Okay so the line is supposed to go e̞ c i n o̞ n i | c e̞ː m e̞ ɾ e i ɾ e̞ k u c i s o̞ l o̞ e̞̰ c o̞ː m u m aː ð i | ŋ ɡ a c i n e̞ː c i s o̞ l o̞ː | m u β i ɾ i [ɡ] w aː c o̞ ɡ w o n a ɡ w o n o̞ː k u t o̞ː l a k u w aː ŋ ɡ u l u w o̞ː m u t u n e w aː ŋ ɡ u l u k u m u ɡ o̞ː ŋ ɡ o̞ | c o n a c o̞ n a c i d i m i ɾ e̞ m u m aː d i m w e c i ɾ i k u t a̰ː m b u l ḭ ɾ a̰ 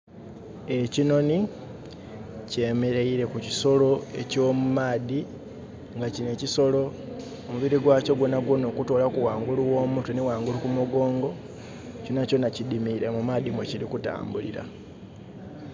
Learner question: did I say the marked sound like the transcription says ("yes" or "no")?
yes